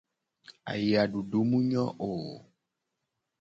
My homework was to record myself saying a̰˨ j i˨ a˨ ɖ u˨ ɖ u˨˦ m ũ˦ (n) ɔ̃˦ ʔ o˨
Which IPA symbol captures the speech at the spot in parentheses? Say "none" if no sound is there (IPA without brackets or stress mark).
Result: ɲ